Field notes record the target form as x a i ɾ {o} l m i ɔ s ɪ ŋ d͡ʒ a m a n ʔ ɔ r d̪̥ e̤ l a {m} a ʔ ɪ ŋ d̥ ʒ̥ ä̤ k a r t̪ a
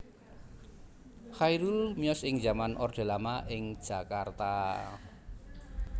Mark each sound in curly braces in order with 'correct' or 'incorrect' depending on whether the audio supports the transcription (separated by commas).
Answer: incorrect, correct